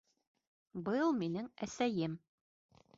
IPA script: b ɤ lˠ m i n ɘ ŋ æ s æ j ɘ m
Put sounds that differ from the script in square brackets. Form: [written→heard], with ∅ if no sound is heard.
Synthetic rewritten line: b ɤ lˠ m i n ɘ ŋ æ s æ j ɘ m

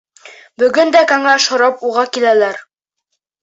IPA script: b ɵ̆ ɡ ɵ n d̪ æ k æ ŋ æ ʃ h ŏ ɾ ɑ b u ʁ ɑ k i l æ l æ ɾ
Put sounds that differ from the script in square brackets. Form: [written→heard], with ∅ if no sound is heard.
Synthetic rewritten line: b ɵ̆ ɡ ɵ n d̪ æ k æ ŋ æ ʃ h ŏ ɾ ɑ [b→p] u ʁ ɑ k i l æ l æ ɾ

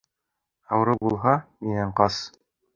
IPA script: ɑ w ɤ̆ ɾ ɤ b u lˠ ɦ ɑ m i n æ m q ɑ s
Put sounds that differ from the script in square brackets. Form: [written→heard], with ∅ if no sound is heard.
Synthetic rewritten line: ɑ w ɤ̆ ɾ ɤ b u lˠ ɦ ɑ m i n æ [m→ɴ] q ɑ s

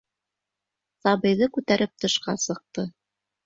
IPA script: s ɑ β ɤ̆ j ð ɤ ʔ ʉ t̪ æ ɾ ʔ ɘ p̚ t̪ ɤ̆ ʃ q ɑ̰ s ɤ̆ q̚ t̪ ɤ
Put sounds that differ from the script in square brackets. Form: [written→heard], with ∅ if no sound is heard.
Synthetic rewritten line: s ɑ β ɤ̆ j ð ɤ [ʔ→k] ʉ t̪ æ ɾ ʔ ɘ p̚ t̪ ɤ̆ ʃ q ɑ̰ s ɤ̆ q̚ t̪ ɤ

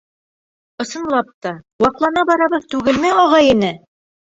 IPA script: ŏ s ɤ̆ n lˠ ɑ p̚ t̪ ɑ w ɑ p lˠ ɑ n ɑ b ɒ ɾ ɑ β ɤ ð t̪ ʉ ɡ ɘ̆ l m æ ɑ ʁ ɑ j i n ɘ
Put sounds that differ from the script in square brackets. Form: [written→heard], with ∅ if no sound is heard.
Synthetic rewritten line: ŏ s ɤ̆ n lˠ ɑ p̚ t̪ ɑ w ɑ [p→q] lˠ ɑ n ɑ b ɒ ɾ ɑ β ɤ ð t̪ ʉ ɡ ɘ̆ l m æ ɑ ʁ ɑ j i n ɘ

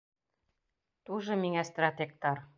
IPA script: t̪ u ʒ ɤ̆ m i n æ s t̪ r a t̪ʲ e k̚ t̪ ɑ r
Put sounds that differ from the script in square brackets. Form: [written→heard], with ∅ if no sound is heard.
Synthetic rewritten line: t̪ u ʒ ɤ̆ m i [n→ŋ] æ s t̪ r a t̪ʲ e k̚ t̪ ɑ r

